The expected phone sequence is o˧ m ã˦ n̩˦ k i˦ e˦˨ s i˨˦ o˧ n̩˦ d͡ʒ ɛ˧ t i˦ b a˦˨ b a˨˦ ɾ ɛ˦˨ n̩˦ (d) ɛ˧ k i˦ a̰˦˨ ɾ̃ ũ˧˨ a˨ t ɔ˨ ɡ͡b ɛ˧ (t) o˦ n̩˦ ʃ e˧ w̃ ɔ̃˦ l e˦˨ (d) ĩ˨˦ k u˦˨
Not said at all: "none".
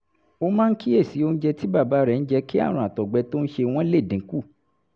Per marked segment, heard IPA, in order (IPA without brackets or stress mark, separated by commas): d͡ʒ, t, d